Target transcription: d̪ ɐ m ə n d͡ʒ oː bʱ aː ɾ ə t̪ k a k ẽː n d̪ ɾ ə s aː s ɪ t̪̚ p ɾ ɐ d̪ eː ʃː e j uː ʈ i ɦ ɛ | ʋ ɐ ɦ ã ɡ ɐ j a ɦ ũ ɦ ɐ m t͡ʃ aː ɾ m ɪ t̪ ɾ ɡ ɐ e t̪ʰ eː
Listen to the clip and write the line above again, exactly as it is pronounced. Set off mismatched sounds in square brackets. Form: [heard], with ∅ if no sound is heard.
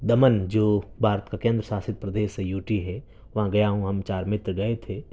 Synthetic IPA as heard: d̪ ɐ m ə n d͡ʒ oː bʱ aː ɾ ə t̪ k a k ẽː n d̪ ɾ ə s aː s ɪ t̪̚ p ɾ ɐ d̪ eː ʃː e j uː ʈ i ɦ ɛ | ʋ ɐ ɦ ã ɡ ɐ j a ɦ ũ ɦ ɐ m t͡ʃ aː ɾ m ɪ t̪ ɾ ɡ ɐ e t̪ʰ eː